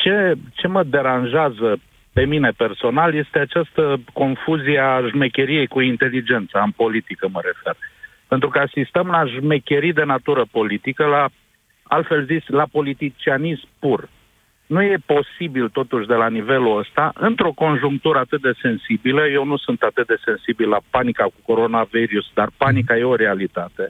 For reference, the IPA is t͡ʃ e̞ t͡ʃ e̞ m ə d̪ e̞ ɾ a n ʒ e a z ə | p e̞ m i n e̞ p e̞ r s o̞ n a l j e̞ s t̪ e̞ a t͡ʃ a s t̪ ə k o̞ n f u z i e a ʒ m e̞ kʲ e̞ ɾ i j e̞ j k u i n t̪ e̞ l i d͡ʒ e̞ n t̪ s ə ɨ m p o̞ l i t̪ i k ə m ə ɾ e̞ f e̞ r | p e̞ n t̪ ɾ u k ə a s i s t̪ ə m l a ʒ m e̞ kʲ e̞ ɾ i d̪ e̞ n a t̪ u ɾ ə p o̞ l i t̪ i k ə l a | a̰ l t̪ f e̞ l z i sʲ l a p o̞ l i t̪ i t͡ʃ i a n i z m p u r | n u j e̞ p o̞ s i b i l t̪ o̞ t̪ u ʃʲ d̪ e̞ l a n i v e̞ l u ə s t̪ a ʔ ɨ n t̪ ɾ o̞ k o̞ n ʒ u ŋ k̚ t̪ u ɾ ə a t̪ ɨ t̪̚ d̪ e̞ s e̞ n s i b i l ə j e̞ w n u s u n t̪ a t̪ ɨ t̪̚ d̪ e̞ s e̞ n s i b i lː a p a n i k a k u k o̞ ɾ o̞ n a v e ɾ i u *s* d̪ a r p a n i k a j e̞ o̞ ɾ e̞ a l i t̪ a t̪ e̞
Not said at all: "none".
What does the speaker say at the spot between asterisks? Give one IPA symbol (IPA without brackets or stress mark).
s